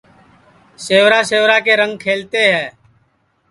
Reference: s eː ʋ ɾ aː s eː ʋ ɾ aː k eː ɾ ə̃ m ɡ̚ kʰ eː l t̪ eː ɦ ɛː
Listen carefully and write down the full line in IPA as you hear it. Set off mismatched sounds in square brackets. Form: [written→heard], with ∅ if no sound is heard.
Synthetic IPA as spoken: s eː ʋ ɾ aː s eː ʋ ɾ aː k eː ɾ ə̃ [m→ŋ] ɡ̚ kʰ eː l t̪ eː ɦ ɛː